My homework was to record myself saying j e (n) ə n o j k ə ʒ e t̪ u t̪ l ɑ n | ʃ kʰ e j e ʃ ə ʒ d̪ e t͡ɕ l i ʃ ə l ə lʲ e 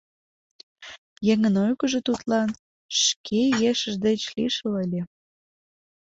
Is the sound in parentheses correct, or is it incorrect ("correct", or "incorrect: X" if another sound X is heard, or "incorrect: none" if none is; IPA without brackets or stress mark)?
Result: incorrect: ŋ